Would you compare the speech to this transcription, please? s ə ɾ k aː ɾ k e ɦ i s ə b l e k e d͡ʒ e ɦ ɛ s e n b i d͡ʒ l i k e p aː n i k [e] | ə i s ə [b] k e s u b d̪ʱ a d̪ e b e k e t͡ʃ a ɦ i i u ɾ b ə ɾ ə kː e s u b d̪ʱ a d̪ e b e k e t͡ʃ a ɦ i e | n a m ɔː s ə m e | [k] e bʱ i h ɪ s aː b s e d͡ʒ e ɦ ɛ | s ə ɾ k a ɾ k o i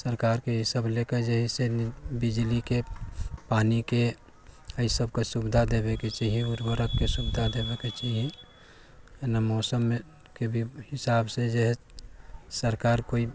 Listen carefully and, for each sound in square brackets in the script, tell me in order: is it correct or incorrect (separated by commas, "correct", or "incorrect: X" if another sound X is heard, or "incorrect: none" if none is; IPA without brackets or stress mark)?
correct, correct, correct